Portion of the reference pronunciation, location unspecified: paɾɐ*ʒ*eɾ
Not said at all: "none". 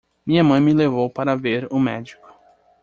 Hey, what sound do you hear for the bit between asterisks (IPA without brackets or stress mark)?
v